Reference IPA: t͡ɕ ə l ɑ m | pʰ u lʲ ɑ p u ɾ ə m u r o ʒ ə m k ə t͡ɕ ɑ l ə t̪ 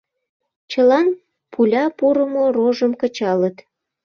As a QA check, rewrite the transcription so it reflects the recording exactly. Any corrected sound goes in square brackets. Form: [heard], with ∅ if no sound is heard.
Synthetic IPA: t͡ɕ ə l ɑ [n] | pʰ u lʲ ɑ p u ɾ ə m [o] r o ʒ ə m k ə t͡ɕ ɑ l ə t̪